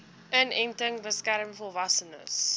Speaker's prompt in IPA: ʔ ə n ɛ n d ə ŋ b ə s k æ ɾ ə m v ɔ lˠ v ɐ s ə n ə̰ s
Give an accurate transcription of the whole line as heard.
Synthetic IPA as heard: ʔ ə n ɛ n t ə ŋ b ə s k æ ɾ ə m f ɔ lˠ v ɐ s ə n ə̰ s